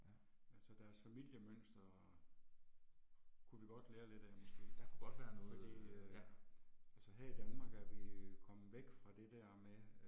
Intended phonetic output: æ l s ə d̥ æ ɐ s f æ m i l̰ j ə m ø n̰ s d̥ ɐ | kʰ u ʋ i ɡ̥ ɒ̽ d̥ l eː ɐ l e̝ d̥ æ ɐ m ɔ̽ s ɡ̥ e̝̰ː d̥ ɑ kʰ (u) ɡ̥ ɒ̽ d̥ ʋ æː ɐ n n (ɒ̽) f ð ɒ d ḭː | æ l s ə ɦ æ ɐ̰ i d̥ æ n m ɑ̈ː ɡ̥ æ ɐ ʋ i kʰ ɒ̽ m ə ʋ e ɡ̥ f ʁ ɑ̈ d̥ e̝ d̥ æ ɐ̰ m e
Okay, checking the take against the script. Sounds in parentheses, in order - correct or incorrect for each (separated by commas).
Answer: correct, incorrect